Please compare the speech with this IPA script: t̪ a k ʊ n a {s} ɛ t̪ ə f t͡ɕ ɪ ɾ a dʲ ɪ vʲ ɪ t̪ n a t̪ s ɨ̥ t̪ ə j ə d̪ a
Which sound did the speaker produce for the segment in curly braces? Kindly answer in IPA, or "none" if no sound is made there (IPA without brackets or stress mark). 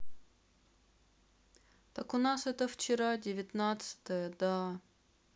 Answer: s